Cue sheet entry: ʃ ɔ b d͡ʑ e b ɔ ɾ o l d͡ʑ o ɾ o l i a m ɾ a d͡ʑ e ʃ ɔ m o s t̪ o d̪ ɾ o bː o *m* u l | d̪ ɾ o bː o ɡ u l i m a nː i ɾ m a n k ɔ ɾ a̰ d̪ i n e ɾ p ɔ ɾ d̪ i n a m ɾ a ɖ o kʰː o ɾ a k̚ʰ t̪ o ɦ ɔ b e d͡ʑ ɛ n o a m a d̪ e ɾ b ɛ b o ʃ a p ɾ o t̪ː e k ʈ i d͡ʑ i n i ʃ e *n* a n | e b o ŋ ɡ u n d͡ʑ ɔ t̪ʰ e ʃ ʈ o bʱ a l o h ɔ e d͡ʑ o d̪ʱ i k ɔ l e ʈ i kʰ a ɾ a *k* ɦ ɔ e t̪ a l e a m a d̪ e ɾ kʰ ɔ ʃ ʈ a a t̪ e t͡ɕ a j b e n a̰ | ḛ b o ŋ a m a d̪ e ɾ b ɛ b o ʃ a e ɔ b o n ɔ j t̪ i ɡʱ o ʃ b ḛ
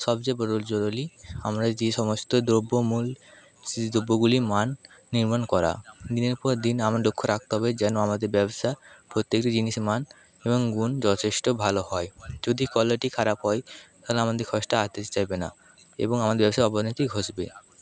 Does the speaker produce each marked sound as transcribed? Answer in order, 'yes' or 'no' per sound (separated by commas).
yes, no, no